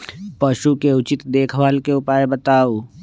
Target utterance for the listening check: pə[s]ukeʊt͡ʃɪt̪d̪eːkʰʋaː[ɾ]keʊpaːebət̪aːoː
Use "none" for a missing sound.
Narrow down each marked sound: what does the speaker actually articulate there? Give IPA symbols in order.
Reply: ʃ, l

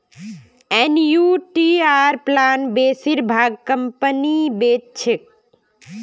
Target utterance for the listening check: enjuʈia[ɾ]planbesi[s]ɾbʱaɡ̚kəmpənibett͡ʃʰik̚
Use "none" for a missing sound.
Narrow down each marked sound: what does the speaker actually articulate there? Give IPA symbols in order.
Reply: ɾ, none

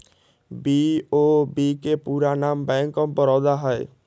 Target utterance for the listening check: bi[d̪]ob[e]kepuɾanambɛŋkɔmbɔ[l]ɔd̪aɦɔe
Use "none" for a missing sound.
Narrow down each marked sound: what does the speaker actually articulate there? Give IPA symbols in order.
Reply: none, i, ɾ

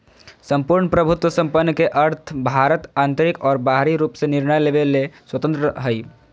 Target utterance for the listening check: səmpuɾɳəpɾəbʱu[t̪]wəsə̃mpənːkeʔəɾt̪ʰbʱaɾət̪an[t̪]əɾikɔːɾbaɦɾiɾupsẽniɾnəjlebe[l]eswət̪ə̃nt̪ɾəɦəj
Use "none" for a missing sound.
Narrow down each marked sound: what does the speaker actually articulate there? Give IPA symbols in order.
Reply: t̪, t̪, l

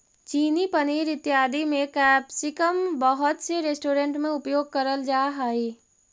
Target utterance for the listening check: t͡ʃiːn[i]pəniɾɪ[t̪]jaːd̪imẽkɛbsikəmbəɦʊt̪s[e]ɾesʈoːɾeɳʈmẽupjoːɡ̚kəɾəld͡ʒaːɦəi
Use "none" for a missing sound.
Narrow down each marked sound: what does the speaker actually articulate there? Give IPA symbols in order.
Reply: i, t̪, e

